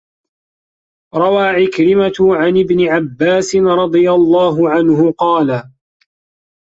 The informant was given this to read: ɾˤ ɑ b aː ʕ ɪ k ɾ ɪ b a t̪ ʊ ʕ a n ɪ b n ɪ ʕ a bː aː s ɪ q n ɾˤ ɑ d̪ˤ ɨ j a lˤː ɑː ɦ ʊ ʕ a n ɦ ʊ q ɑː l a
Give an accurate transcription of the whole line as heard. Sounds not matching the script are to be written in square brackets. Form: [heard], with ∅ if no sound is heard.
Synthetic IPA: ɾˤ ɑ [w] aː ʕ ɪ k ɾ ɪ [m] a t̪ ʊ ʕ a n ɪ b n ɪ ʕ a bː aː s ɪ [∅] n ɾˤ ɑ d̪ˤ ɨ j a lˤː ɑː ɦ ʊ ʕ a n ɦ ʊ q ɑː l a